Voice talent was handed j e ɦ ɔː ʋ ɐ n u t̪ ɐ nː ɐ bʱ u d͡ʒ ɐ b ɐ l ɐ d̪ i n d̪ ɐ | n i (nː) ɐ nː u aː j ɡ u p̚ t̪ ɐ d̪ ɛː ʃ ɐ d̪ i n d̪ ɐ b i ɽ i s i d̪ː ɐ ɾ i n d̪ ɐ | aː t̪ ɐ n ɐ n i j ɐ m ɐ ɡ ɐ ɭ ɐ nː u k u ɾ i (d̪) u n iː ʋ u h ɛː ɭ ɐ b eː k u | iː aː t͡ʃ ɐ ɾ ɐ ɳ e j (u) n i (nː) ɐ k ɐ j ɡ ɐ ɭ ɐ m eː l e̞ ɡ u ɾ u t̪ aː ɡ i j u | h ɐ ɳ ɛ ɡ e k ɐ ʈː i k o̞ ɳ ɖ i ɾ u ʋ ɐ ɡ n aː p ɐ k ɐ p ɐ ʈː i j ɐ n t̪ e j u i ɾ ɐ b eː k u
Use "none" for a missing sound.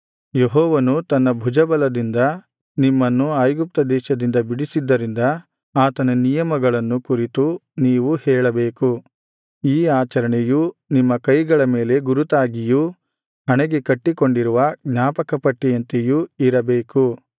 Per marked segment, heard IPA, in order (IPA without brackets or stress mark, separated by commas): mː, t̪, u, mː